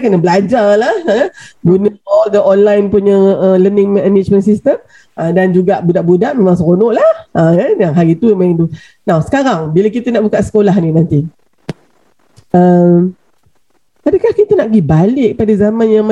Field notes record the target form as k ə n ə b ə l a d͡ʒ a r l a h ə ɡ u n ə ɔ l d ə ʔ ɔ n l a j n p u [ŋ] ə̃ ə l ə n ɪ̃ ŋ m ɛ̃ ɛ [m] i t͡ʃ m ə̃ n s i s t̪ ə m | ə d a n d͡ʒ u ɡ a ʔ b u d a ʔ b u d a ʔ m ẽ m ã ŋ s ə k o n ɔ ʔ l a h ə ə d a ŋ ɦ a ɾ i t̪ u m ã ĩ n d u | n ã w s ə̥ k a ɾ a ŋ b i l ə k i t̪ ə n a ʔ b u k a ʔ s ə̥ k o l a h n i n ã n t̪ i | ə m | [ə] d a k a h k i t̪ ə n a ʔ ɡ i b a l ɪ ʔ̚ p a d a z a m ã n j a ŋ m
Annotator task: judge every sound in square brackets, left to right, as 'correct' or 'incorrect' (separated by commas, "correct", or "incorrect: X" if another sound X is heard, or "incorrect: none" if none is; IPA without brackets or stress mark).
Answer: incorrect: ɲ, incorrect: n, incorrect: a